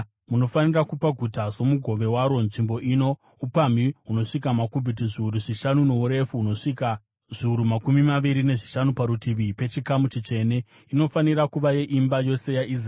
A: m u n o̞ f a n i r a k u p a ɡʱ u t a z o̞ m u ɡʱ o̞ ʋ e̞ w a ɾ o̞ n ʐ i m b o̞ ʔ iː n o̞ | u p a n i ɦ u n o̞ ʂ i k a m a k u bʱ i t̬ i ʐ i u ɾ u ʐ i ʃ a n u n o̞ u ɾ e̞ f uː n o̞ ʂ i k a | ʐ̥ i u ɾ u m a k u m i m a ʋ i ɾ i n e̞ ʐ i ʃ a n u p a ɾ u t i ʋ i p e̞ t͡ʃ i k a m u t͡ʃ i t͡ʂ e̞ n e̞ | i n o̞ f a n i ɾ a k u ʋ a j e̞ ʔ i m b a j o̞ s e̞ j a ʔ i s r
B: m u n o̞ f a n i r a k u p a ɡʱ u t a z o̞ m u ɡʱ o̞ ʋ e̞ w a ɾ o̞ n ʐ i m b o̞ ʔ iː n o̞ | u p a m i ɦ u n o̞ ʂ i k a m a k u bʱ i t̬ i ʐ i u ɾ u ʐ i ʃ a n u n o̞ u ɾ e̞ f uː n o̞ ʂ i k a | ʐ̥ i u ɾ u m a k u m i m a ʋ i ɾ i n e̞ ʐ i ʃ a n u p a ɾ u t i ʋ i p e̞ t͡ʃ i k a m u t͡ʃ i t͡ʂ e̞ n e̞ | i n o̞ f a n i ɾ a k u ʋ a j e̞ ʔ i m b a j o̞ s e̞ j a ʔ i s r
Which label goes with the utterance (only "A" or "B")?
B